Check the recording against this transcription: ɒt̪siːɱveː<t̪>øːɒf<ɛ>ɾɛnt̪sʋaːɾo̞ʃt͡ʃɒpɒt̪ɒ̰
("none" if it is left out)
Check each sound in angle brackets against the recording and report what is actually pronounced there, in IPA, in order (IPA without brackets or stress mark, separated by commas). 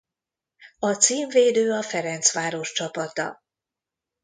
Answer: d̪, ɛ